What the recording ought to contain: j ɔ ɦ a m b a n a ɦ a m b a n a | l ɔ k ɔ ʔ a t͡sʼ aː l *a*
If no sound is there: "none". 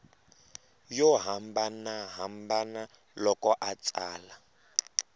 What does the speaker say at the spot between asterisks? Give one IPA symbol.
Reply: a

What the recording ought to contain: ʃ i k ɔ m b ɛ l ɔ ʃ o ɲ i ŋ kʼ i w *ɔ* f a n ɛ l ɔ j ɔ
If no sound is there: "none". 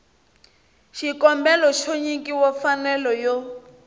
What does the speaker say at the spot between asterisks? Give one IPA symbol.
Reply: ɔ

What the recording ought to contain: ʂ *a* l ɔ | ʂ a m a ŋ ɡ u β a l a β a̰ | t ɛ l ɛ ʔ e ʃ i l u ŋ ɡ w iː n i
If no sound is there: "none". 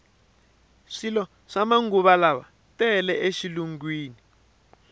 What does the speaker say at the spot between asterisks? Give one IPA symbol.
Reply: i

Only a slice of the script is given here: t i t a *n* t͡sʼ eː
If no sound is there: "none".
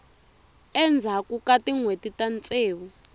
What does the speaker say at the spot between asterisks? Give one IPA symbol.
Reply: n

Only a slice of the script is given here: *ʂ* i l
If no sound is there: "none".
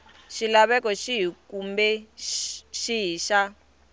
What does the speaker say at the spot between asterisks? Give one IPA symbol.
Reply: ʃ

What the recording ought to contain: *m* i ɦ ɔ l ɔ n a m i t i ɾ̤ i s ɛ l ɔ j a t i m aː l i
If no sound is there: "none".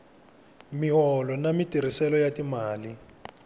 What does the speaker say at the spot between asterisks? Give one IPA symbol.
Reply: m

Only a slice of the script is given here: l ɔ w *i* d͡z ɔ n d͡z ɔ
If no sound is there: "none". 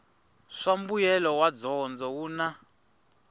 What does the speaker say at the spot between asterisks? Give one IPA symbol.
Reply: a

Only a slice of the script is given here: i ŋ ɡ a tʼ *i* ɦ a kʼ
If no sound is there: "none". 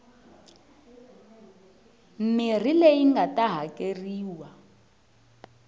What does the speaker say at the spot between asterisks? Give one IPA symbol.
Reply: a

